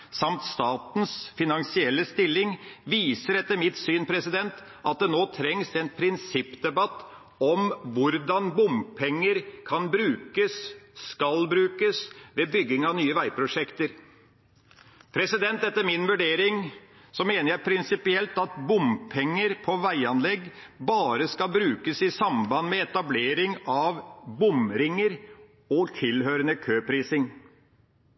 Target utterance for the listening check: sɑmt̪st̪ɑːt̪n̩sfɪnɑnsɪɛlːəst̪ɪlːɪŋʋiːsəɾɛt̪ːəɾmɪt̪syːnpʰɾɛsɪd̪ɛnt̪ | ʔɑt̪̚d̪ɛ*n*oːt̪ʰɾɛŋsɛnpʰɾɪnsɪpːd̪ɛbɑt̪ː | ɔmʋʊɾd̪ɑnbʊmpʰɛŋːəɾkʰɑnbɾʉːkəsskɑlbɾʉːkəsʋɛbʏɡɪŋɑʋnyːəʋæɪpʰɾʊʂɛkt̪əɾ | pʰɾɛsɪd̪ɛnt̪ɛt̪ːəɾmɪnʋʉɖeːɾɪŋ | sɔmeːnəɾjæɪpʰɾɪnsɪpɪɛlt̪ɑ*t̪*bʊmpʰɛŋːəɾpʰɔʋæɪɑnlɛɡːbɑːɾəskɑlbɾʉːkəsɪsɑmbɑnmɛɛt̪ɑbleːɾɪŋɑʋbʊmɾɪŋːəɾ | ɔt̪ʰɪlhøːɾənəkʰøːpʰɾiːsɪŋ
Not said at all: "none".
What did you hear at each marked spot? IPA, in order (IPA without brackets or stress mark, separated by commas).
n, t̪